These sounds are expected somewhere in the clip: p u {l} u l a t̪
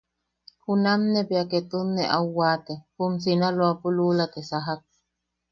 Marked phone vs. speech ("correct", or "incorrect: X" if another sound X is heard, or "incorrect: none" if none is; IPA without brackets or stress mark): correct